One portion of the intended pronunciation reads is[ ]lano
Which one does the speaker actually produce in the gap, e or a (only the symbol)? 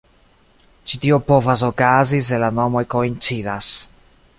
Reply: e